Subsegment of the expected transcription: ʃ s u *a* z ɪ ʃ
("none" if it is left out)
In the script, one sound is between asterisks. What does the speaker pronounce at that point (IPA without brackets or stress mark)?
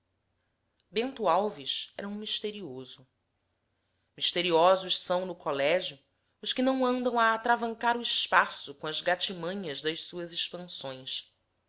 ɐ